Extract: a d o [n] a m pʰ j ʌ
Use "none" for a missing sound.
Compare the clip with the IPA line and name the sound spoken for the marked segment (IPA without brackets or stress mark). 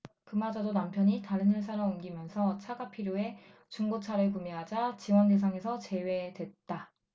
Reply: n